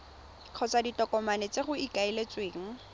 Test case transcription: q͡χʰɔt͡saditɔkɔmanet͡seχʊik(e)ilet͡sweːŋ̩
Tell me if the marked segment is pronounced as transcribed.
no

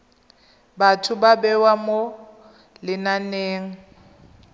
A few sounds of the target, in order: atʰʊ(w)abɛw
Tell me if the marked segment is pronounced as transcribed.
no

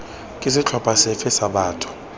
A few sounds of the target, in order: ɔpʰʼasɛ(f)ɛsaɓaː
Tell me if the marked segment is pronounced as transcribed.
yes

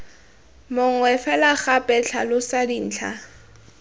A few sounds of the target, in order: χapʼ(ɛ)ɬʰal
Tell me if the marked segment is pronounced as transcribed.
yes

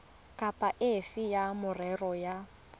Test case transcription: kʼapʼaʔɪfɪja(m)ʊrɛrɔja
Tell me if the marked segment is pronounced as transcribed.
yes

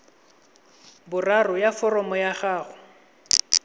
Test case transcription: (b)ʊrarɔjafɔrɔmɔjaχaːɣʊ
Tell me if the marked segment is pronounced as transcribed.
yes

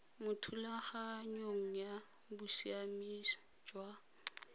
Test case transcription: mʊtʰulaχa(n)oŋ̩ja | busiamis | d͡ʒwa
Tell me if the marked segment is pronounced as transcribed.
no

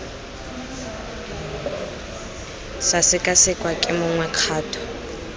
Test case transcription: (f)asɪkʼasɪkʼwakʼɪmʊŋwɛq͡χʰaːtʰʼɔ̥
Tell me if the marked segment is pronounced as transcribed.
no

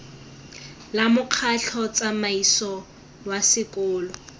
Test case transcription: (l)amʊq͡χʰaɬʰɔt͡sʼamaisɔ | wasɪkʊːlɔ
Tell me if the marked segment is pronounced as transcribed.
yes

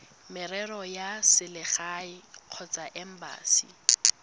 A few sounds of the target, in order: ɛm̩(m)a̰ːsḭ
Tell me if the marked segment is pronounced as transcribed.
no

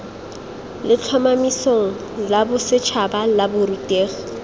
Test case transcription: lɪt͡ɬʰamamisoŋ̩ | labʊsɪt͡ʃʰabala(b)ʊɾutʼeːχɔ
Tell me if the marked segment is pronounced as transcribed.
yes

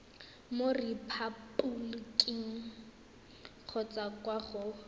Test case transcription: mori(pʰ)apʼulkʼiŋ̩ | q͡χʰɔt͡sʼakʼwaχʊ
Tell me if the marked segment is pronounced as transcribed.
yes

